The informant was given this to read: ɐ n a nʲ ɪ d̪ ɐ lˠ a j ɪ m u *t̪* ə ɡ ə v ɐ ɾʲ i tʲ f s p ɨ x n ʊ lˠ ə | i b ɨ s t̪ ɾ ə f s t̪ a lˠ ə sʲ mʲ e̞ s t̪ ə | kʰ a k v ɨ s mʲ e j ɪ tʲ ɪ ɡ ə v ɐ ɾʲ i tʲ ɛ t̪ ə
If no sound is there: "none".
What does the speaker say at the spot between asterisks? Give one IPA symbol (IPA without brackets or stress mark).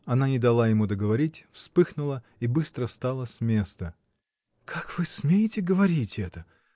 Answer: d̪